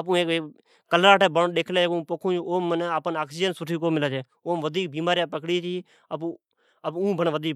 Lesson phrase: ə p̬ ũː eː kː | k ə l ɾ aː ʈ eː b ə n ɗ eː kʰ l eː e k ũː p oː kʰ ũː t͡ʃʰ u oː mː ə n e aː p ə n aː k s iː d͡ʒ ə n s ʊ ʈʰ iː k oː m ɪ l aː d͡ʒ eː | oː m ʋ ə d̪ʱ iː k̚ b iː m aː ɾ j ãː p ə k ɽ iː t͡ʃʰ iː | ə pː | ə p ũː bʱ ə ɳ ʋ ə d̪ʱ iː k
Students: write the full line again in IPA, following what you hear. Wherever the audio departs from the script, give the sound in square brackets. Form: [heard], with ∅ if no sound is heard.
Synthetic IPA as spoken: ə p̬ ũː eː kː | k ə l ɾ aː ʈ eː b ə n ɗ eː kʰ l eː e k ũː p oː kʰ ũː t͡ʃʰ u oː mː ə n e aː p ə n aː k s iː d͡ʒ ə n s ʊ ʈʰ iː k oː m ɪ l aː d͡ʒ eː | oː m ʋ ə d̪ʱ iː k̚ b iː m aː ɾ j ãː p ə k ɽ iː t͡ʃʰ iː | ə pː | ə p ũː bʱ ə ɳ ʋ ə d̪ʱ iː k